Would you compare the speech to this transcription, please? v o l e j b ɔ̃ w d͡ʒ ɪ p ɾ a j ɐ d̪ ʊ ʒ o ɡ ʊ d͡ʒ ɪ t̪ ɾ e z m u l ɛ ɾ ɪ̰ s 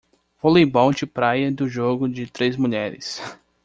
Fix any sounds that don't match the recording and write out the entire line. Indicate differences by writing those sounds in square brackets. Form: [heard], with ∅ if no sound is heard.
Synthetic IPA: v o l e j b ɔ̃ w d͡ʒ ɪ p ɾ a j ɐ d̪ ʊ ʒ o ɡ ʊ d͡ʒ ɪ t̪ ɾ e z m u [ʎ] ɛ ɾ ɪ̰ s

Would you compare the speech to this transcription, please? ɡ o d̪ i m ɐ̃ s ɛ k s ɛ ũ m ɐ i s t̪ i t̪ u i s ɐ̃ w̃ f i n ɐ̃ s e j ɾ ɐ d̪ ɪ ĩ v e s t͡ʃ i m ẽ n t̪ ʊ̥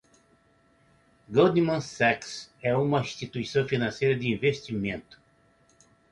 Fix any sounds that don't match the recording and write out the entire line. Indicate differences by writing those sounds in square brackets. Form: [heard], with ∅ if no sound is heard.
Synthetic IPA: ɡ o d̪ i m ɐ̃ s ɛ k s ɛ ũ m ɐ [ĩ] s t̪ i t̪ u i s ɐ̃ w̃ f i n ɐ̃ s e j ɾ ɐ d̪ ɪ ĩ v e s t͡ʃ i m ẽ n t̪ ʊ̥

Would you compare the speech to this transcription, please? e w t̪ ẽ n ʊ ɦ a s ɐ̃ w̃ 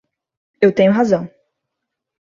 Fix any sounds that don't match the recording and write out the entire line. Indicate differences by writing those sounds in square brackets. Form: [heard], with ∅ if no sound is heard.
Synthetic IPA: e w t̪ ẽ [ɲ] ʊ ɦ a [z] ɐ̃ w̃

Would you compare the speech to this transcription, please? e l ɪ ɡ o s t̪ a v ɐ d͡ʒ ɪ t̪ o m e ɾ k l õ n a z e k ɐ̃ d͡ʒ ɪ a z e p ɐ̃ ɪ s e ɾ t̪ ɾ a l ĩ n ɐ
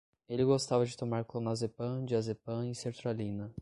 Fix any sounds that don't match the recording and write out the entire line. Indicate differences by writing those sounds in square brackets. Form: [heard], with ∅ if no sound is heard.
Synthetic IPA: e l ɪ ɡ o s t̪ a v ɐ d͡ʒ ɪ t̪ o m [a] ɾ k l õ n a z e [p] ɐ̃ d͡ʒ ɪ a z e p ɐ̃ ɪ s e ɾ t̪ ɾ a l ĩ n ɐ

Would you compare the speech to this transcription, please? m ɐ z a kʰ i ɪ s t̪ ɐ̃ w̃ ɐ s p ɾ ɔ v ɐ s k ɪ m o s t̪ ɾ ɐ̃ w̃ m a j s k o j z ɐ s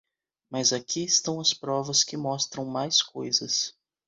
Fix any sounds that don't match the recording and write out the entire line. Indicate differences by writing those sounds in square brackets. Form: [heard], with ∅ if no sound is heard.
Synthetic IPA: m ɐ z a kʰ i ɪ s t̪ ɐ̃ w̃ ɐ s p ɾ ɔ v ɐ s k ɪ m [ɔ] s t̪ ɾ ɐ̃ w̃ m a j s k o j z ɐ s

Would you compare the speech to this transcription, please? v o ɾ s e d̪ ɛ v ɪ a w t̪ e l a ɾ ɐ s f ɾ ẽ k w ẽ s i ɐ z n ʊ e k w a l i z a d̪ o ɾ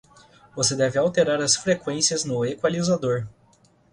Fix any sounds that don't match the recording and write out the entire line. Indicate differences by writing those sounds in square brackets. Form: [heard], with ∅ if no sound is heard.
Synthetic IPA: v o [∅] s e d̪ ɛ v ɪ a w t̪ e [ɾ] a ɾ ɐ s f ɾ [e] k w ẽ s i ɐ z n ʊ e k w a l i z a d̪ o ɾ

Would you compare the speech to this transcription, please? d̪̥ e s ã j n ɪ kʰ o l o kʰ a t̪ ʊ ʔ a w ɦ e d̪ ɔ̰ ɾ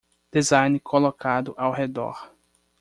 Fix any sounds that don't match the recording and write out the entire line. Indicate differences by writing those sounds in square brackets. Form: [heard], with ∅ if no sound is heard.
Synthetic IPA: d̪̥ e [z] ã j n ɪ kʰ o l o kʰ a [d̪] ʊ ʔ a w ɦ e d̪ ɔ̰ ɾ

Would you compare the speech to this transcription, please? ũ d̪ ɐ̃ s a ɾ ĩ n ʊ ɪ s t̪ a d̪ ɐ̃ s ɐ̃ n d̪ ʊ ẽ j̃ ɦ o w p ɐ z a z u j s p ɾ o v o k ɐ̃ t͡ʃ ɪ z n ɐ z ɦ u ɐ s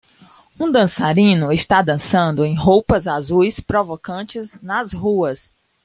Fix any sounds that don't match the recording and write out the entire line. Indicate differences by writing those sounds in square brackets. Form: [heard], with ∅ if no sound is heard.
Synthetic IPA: ũ d̪ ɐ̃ s a ɾ ĩ n ʊ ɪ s t̪ a d̪ ɐ̃ s ɐ̃ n d̪ ʊ ẽ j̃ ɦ o w p ɐ z a z u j s p ɾ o v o k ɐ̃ t͡ʃ ɪ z n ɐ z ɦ u ɐ s

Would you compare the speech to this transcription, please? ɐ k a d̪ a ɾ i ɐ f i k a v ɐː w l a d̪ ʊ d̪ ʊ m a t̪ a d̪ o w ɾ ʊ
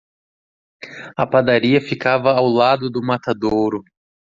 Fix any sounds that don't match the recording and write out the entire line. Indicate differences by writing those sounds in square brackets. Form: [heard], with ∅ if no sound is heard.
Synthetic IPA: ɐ [p] a d̪ a ɾ i ɐ f i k a v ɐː w l a d̪ ʊ d̪ ʊ m a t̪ a d̪ o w ɾ ʊ

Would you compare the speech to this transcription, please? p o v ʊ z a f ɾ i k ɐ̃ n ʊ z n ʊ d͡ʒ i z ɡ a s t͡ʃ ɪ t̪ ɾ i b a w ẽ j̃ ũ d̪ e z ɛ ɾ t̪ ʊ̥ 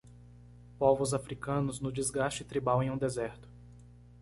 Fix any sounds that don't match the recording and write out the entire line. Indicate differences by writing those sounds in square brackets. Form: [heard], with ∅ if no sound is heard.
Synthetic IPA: p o v ʊ z a f ɾ i k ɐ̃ n ʊ z n ʊ d͡ʒ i z ɡ a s t͡ʃ ɪ t̪ ɾ i b a w ẽ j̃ ũ d̪ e z ɛ ɾ t̪ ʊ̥

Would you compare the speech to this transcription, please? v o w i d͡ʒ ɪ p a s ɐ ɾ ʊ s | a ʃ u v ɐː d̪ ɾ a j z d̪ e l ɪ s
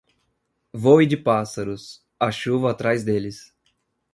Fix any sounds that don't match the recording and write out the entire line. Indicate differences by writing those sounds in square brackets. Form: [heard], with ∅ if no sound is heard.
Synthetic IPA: v o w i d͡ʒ ɪ p a s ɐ ɾ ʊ s | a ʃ u v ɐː [t̪] ɾ a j z d̪ e l ɪ s

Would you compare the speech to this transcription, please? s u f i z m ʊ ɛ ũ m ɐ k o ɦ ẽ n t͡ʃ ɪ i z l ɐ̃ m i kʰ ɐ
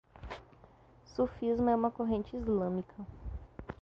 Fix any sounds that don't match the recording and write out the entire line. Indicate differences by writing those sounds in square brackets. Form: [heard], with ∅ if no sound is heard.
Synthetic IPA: s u f i z m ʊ ɛ ũ m ɐ k o ɦ ẽ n t͡ʃ ɪ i z l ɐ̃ m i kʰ ɐ

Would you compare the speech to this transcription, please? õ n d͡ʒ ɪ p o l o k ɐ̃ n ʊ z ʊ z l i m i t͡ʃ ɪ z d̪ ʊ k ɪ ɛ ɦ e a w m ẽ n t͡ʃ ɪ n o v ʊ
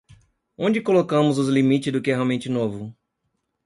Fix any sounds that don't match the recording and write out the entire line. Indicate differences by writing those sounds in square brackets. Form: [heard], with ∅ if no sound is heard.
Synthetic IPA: õ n d͡ʒ ɪ [k] o l o k ɐ̃ [m] ʊ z ʊ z l i m i t͡ʃ ɪ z d̪ ʊ k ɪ ɛ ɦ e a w m ẽ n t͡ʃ ɪ n o v ʊ

